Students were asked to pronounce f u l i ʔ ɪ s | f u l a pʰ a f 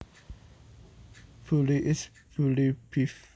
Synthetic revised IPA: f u l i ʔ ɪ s | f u l i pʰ i f